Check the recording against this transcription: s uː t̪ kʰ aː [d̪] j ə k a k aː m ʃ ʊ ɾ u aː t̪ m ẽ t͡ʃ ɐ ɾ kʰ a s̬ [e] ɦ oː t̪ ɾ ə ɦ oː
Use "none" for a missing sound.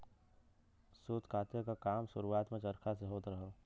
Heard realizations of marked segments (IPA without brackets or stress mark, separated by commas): t̪, e